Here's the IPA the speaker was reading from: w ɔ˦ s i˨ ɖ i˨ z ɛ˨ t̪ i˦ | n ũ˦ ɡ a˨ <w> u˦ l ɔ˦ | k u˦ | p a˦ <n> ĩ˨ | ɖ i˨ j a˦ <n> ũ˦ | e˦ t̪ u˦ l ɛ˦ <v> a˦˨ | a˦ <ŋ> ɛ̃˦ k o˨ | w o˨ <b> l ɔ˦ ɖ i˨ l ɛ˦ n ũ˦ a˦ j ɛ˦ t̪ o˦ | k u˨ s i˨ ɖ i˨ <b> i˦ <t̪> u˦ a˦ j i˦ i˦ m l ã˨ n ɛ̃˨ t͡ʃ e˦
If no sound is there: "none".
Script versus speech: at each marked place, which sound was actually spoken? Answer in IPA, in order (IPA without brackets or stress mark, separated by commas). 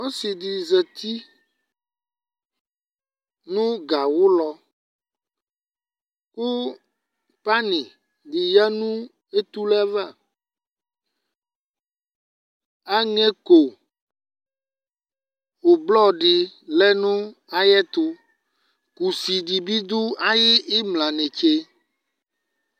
w, n, n, v, ŋ, b, b, d̪